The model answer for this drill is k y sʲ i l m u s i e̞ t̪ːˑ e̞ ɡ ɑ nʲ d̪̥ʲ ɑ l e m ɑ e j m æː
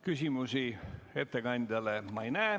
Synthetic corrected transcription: k y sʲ i m u s i e̞ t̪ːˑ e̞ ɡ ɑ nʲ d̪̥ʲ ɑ l e m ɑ e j n æː